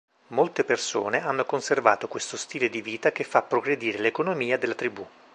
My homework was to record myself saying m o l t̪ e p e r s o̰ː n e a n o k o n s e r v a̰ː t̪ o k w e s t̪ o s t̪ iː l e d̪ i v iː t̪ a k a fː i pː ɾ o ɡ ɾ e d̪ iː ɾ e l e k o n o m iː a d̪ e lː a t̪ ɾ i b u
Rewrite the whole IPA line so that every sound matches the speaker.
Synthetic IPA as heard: m o l t̪ e p e r s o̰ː n e a nː o k o n s e r v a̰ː t̪ o k w e s t̪ o s t̪ iː l e d̪ i v iː t̪ a k e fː a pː ɾ o ɡ ɾ e d̪ iː ɾ e l e k o n o m iː a d̪ e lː a t̪ ɾ i b u

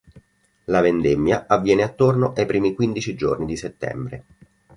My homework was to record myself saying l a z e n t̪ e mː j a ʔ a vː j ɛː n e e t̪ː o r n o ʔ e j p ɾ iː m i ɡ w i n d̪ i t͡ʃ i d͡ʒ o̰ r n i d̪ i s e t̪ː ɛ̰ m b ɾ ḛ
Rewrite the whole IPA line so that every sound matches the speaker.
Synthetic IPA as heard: l a v e n d̪ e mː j a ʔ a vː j ɛː n e a t̪ː o r n o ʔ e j p ɾ iː m i k w i n d̪ i t͡ʃ i d͡ʒ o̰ r n i d̪ i s e t̪ː ɛ̰ m b ɾ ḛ

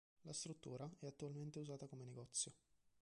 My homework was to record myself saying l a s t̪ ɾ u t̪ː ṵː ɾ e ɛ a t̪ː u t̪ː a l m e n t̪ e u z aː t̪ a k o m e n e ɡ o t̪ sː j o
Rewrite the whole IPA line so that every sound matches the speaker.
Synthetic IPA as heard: l a s t̪ ɾ u t̪ː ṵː ɾ a ɛ a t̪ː u a l m e n t̪ e u z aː t̪ a k o m e n e ɡ ɔ t̪ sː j o

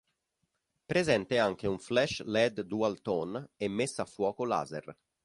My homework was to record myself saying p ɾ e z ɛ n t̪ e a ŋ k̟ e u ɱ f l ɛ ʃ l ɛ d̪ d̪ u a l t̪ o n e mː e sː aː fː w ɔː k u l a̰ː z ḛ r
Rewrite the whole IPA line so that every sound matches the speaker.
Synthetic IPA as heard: p ɾ e z ɛ n t̪ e a ŋ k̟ e u ɱ f l ɛ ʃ l ɛ d̪ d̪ u a l t̪ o n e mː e sː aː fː w ɔː k o l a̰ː z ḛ r

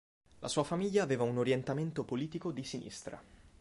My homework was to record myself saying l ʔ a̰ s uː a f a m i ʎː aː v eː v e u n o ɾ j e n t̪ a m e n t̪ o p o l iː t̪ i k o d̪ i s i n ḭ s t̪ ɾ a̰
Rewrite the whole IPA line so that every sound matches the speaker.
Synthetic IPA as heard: l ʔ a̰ s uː a f a m i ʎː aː v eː v a u n o ɾ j e n t̪ a m e n t̪ o p o l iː t̪ i k o d̪ i s i n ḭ s t̪ ɾ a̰

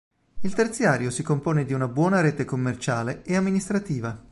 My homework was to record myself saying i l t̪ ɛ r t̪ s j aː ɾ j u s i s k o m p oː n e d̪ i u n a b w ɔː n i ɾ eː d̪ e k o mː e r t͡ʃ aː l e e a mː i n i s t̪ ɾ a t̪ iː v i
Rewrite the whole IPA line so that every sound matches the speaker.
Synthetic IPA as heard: i l t̪ e r t̪ s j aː ɾ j o s i k o m p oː n e d̪ i u n a b w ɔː n a ɾ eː t̪ e k o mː e r t͡ʃ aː l e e a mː i n i s t̪ ɾ a t̪ iː v a

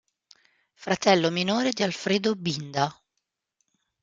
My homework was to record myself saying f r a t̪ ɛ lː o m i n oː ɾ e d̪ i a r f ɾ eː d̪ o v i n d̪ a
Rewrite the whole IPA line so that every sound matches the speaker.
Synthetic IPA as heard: f ɾ a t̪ ɛ lː o m i n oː ɾ e d̪ i a l f ɾ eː d̪ o b i n d̪ a

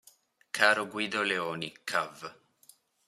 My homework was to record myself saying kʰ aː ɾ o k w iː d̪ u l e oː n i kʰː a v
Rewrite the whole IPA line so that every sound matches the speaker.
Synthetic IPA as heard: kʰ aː ɾ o ɡ w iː d̪ o l e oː n i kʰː a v

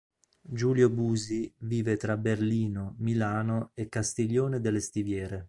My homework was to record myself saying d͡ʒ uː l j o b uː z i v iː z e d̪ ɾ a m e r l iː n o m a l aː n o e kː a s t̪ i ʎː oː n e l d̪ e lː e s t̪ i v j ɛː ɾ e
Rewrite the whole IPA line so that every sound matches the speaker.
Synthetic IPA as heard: d͡ʒ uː l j o b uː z i v iː v e t̪ ɾ a b e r l iː n o m i l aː n o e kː a s t̪ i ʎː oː n e d̪ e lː e s t̪ i v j ɛː ɾ e

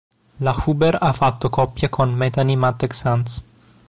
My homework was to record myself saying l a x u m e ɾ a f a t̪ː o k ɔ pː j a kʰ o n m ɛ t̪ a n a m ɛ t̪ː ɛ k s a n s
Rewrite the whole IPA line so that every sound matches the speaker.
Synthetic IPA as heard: l a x u b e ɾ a f a t̪ː o k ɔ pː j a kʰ o n m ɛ t̪ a n i m a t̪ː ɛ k s a n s

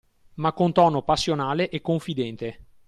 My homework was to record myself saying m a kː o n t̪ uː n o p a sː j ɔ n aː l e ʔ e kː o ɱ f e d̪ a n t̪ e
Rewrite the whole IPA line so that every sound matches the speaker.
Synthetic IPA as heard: m a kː o n t̪ ɔː n o p a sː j o n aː l e ʔ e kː o ɱ f i d̪ ɛ n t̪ e

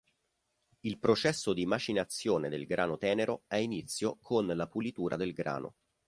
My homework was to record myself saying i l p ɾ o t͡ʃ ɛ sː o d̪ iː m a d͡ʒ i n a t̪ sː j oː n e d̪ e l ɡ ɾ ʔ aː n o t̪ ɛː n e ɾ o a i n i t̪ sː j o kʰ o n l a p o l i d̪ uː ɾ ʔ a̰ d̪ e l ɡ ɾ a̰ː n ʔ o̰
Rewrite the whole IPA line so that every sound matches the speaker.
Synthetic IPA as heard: i l p ɾ o t͡ʃ ɛ sː o d̪ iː m a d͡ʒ i n a t̪ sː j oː n e d̪ e l ɡ ɾ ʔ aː n o t̪ ɛː n e ɾ o ɛ i n i t̪ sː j o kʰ o n l a p u l i t̪ uː ɾ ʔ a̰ d̪ e l ɡ ɾ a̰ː n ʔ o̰

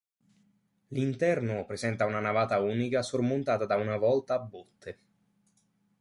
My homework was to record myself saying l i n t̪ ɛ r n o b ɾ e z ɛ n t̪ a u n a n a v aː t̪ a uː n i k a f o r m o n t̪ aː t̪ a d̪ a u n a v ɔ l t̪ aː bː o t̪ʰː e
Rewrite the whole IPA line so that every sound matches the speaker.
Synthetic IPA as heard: l i n t̪ ɛ r n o p ɾ e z ɛ n t̪ a u n a n a v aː t̪ a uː n i k a s o r m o n t̪ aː t̪ a d̪ a u n a v ɔ l t̪ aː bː o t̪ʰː e

